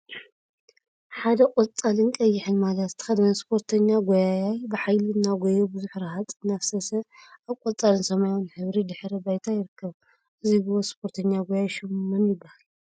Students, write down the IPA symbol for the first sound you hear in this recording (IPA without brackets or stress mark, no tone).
ħ